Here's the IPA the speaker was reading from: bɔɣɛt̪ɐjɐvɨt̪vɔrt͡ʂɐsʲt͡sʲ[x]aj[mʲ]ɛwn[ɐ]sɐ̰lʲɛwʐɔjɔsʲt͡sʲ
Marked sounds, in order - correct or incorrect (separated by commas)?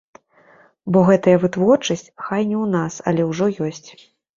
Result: correct, incorrect, incorrect